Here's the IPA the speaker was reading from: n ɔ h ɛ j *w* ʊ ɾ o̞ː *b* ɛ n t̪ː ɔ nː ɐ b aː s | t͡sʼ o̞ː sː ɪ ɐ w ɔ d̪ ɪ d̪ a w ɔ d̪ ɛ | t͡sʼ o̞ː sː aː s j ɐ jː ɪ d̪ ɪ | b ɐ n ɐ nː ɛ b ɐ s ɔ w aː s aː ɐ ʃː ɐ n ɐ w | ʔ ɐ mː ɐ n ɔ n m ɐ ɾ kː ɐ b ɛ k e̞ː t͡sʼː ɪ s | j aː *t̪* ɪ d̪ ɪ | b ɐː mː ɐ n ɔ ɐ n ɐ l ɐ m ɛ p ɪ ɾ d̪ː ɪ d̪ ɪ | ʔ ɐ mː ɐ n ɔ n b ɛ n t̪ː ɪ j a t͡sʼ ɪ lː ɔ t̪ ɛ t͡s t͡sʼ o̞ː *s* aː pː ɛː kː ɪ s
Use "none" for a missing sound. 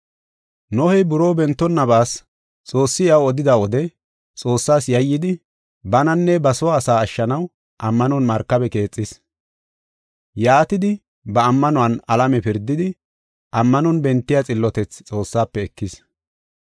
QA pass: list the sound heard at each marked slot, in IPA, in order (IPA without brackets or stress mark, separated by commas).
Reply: b, b, t̪, sː